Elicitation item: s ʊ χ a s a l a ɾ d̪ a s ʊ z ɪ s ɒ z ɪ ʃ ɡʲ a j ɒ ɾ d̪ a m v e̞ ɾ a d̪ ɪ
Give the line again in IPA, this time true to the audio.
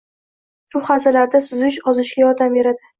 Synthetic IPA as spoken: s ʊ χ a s a l a ɾ d̪ a s ʊ z ɪ ʃ ɒ z ɪ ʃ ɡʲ a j ɒ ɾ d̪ a m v e̞ ɾ a d̪ ɪ